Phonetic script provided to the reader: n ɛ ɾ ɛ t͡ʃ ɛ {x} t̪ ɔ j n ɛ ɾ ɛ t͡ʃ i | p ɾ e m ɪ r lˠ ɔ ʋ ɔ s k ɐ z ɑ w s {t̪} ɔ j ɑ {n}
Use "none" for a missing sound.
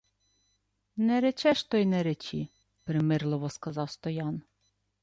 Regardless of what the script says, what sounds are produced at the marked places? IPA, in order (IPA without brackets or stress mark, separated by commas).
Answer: ʃ, t̪, n